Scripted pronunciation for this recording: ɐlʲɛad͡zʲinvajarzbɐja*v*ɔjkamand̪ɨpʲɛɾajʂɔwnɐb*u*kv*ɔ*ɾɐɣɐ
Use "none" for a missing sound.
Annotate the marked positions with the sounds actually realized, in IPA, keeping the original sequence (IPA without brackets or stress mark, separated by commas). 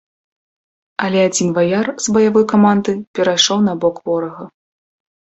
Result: v, ɔ, ɔ